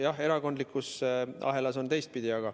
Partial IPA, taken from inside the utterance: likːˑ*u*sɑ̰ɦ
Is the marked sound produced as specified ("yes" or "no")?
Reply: yes